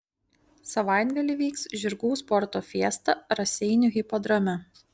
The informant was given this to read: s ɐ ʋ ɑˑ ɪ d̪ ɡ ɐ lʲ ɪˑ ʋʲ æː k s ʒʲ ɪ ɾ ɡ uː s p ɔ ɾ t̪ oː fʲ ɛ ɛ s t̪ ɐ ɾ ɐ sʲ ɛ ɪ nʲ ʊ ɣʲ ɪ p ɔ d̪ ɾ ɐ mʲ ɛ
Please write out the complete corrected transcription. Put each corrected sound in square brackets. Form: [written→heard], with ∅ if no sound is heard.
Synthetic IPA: s ɐ ʋ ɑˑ ɪ d̪ ɡ ɐ lʲ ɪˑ ʋʲ [æː→iː] k s ʒʲ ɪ ɾ ɡ uː s p ɔ ɾ t̪ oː fʲ [ɛ→i] ɛ s t̪ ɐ ɾ ɐ sʲ ɛ ɪ nʲ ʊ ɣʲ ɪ p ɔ d̪ ɾ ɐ mʲ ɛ